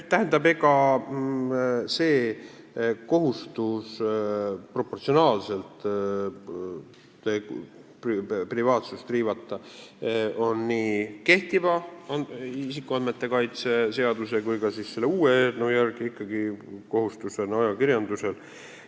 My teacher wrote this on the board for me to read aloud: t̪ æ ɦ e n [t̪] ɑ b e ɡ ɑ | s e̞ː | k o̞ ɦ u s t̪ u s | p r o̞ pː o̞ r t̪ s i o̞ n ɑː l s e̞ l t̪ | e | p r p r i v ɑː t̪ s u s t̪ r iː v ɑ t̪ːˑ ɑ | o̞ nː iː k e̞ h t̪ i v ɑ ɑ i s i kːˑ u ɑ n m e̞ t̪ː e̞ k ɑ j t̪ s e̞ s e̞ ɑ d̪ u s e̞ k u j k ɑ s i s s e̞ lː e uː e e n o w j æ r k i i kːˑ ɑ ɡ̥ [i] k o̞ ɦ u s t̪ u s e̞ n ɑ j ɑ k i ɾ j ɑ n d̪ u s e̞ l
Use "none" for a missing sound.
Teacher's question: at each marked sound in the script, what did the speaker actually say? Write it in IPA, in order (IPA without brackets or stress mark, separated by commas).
d̪, i